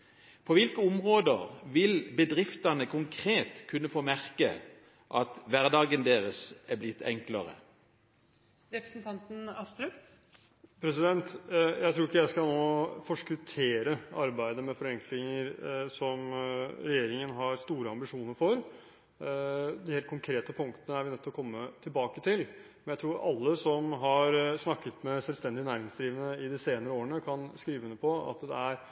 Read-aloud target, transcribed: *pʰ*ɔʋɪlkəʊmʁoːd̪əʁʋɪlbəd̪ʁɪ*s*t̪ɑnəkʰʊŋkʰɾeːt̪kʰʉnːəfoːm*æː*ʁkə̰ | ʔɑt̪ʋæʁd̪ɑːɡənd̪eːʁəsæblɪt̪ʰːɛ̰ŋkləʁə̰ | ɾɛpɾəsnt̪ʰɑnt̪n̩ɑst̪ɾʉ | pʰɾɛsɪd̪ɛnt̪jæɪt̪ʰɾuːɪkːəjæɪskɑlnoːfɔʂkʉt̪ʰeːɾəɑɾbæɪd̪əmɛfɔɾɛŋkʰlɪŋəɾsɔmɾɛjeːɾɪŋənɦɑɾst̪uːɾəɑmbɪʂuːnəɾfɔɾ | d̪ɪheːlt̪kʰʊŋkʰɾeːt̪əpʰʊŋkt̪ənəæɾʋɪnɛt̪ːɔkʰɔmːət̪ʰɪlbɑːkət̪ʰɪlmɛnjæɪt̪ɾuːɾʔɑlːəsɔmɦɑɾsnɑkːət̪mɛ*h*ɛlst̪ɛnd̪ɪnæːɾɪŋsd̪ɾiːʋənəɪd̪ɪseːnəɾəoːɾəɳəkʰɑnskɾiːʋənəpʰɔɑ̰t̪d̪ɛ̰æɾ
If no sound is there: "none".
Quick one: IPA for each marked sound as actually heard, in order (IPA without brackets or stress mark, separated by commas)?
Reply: pʰ, f, æ, s